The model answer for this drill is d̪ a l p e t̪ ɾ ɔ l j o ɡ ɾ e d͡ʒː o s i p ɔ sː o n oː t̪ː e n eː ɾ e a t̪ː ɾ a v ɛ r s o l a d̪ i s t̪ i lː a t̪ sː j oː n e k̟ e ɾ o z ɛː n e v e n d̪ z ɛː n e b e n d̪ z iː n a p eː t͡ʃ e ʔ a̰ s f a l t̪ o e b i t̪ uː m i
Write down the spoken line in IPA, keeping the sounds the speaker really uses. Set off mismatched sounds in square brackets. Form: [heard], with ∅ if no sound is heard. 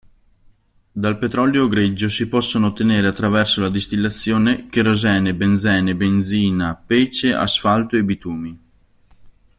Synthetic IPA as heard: d̪ a l p e t̪ ɾ ɔ l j o ɡ ɾ e d͡ʒː o s i p ɔ sː o n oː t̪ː e n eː ɾ e a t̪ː ɾ a v ɛ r s o l a d̪ i s t̪ i lː a t̪ sː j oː n e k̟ e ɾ o z ɛː n e [b] e n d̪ z ɛː n e b e n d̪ z iː n a p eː t͡ʃ e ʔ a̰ s f a l t̪ o e b i t̪ uː m i